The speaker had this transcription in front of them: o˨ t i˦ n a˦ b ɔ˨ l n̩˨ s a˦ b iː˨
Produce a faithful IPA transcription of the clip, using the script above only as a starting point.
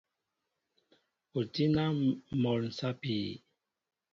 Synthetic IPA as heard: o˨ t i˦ n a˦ m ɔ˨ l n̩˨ s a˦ p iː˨